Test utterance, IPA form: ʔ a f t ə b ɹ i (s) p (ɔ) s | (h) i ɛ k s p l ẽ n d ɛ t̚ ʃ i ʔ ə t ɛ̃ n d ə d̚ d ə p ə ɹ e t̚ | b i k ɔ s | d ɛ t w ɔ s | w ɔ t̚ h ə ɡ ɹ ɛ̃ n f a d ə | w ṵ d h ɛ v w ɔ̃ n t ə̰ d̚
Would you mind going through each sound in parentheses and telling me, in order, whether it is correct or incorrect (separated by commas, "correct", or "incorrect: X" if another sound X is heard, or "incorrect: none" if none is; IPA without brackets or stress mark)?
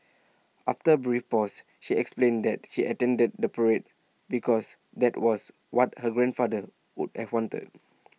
incorrect: f, correct, incorrect: ʃ